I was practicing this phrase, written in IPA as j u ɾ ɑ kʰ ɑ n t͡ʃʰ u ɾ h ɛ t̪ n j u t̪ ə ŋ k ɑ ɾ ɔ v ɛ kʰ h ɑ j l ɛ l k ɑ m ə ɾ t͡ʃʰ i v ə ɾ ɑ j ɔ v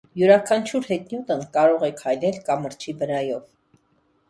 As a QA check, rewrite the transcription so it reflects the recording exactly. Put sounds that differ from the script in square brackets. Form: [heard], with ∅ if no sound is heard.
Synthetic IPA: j u ɾ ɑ kʰ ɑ n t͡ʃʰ u ɾ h ɛ t̪ n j u t̪ ə [n] k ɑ ɾ ɔ [ʁ] ɛ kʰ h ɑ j l ɛ l k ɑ m ə ɾ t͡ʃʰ i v ə ɾ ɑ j ɔ v